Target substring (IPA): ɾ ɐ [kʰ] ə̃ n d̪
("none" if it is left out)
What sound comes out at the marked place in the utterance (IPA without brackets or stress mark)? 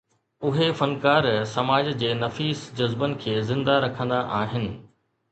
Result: kʰ